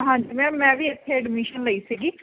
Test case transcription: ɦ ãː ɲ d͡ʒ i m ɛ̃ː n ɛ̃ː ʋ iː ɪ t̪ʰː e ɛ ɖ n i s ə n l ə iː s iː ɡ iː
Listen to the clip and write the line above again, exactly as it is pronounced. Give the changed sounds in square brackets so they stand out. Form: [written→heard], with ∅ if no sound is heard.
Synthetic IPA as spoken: ɦ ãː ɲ d͡ʒ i m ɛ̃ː [n→m] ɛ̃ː ʋ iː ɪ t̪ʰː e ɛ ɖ [n→m] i [s→ʃ] ə n l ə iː s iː ɡ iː